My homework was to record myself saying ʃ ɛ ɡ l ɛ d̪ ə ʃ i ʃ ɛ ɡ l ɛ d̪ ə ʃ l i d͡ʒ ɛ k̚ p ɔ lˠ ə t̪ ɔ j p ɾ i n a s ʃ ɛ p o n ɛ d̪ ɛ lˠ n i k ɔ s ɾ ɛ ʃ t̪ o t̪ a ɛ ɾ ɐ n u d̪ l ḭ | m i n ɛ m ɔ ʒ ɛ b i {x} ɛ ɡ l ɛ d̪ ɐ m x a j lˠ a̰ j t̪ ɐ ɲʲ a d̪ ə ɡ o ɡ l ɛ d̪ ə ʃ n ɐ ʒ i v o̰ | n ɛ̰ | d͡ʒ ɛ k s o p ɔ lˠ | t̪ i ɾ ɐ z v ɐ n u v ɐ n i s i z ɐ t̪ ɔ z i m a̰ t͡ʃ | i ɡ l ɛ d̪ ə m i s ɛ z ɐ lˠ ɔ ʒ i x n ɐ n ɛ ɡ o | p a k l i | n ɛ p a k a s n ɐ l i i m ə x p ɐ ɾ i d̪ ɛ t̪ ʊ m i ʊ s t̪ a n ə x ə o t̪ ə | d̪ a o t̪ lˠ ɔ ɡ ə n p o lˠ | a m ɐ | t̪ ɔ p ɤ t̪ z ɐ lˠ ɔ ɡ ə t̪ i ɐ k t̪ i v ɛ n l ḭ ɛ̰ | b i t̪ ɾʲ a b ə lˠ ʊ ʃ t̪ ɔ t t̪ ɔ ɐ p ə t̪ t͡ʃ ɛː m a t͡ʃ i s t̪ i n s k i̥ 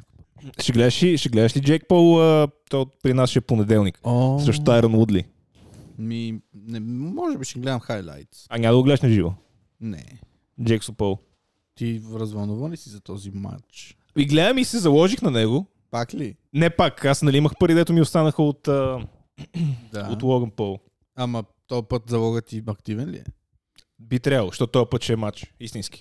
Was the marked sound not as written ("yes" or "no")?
yes